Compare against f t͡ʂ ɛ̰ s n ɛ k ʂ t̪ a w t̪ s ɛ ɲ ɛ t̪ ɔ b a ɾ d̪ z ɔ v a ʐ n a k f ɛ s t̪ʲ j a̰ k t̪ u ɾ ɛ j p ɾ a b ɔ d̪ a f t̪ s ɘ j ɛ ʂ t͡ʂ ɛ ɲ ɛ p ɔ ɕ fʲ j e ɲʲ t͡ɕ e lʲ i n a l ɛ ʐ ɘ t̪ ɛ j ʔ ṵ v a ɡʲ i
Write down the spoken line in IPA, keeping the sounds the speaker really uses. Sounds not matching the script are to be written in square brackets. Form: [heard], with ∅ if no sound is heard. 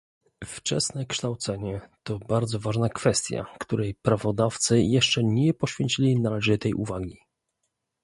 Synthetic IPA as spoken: f t͡ʂ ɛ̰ s n ɛ k ʂ t̪ a w t̪ s ɛ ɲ ɛ t̪ ɔ b a ɾ d̪ z ɔ v a ʐ n a k f ɛ s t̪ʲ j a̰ k t̪ u ɾ ɛ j p ɾ a [v] ɔ d̪ a f t̪ s ɘ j ɛ ʂ t͡ʂ ɛ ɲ ɛ p ɔ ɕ fʲ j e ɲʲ t͡ɕ [i] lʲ i n a l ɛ ʐ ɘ t̪ ɛ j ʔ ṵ v a ɡʲ i